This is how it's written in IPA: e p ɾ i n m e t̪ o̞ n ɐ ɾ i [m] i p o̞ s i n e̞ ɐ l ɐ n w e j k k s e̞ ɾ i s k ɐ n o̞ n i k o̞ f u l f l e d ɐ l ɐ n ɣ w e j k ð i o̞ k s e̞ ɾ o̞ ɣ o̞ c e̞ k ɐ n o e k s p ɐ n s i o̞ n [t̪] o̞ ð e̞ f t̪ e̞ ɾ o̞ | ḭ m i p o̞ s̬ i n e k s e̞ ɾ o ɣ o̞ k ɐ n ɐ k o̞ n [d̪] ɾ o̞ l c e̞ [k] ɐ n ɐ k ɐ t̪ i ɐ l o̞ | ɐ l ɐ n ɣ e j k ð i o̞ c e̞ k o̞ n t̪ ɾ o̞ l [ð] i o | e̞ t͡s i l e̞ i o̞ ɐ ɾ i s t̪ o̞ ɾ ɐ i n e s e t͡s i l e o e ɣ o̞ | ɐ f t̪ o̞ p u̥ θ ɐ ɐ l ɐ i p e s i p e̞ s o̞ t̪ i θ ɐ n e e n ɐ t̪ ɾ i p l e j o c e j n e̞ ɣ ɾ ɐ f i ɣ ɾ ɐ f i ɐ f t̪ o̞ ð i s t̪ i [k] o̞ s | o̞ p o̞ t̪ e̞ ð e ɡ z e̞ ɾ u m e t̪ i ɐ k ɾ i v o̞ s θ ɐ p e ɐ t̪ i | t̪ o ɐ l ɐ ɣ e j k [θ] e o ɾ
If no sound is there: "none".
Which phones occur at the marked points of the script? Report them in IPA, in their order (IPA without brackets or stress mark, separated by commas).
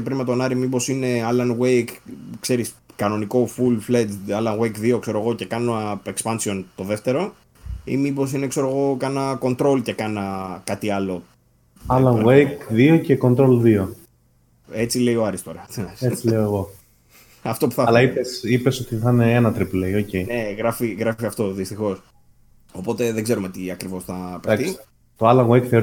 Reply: m, t̪, t̪, k, ð, x, θ